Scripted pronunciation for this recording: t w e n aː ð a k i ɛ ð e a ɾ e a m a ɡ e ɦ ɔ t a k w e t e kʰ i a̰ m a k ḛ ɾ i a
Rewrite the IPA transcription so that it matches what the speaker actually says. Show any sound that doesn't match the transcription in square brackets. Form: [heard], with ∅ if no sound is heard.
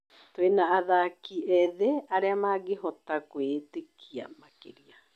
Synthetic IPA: t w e n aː ð a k i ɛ ð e a ɾ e a m a ɡ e ɦ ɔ t a k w e t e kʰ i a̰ m a k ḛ ɾ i a